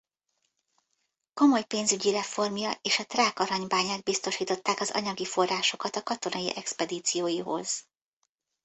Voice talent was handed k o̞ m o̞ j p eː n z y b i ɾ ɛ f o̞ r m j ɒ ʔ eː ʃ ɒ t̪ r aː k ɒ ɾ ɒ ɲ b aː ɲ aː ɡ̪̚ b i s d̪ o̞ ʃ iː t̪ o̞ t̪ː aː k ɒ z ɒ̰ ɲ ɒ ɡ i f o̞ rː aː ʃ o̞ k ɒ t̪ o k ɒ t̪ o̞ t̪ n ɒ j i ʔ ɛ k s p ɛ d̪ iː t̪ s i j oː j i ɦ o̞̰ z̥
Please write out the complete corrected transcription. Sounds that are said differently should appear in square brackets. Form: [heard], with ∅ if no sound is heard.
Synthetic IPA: k o̞ m o̞ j p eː n z y [ɟ] i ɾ ɛ f o̞ r m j ɒ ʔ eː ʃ ɒ t̪ r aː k ɒ ɾ ɒ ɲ b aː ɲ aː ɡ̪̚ b i s [t̪] o̞ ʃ iː t̪ o̞ t̪ː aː k ɒ z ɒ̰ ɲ ɒ ɡ i f o̞ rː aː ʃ o̞ k ɒ t̪ [ɒ] k ɒ t̪ o̞ [∅] n ɒ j i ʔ ɛ k s p ɛ d̪ iː t̪ s i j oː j i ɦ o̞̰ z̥